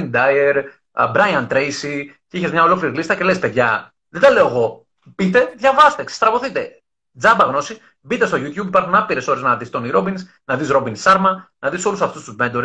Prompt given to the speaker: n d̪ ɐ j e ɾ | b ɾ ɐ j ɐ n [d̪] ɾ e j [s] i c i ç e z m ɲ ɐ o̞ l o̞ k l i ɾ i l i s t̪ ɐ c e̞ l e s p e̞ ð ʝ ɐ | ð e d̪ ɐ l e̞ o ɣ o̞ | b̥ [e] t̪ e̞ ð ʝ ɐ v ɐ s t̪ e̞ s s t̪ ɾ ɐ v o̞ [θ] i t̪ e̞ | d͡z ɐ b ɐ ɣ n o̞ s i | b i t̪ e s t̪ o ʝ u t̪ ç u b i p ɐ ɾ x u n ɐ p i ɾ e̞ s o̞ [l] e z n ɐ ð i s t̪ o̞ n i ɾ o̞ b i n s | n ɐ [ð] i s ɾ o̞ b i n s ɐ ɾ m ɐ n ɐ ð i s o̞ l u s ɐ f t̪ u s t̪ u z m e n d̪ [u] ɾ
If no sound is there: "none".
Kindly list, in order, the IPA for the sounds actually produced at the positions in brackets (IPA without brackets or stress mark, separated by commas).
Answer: t̪, s, i, θ, ɾ, ð, o